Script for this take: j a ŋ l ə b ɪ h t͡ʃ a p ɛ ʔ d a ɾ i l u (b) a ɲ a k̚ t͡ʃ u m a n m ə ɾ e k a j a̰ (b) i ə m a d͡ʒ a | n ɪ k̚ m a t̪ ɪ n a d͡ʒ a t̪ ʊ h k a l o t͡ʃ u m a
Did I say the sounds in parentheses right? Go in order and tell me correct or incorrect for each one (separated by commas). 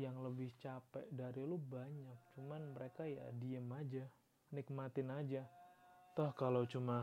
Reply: correct, incorrect